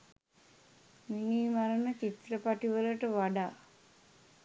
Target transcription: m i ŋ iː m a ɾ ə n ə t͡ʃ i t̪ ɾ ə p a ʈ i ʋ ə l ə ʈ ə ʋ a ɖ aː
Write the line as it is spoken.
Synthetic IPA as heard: m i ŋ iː m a ɾ ə n ə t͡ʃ i t̪ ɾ ə p a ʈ i ʋ ə l ə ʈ ə ʋ a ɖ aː